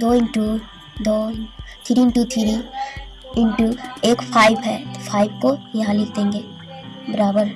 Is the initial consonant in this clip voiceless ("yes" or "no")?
no